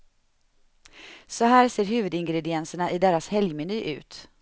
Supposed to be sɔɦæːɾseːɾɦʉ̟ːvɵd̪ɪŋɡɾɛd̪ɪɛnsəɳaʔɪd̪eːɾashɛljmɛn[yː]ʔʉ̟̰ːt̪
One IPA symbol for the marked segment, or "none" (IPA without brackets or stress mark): yː